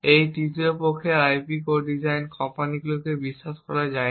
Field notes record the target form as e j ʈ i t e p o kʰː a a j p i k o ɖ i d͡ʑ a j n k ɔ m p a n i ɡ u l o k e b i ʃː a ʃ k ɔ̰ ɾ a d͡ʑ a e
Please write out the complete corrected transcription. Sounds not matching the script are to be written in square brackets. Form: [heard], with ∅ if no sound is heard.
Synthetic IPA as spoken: e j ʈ i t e p o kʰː [e] a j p i k o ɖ i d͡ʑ a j n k ɔ m p a n i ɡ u l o k e b i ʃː a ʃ k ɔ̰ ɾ a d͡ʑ a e

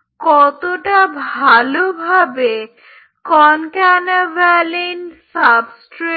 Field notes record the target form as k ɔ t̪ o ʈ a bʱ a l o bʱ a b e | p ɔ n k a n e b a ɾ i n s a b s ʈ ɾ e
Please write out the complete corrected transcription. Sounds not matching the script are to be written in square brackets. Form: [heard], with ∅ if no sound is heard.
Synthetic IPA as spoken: k ɔ t̪ o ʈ a bʱ a l o bʱ a b e | [k] ɔ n k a n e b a [l] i n s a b s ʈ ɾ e

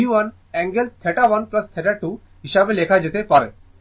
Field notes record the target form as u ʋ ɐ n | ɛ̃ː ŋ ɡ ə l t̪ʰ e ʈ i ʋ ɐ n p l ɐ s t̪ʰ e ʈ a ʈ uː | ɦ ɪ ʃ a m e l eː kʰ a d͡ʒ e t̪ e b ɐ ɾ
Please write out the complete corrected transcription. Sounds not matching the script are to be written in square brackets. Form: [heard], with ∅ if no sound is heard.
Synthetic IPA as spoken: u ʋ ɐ n | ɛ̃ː ŋ ɡ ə l t̪ʰ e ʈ [a] ʋ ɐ n p l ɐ s t̪ʰ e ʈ a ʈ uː | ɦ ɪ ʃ a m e l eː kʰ a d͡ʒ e t̪ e [p] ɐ ɾ

